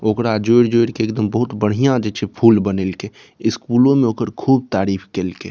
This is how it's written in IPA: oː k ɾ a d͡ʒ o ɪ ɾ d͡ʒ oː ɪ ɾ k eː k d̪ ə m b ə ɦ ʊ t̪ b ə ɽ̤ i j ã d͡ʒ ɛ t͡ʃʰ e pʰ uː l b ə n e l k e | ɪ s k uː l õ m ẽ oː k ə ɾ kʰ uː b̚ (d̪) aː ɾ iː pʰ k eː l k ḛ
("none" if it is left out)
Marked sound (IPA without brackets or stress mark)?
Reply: t̪